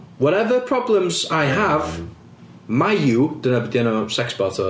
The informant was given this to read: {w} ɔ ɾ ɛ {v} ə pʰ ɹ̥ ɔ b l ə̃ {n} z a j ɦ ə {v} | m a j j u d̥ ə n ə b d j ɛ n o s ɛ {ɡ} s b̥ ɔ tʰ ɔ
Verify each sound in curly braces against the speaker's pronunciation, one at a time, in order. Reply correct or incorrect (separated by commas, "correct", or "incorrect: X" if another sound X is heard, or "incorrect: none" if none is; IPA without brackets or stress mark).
correct, correct, incorrect: m, correct, incorrect: k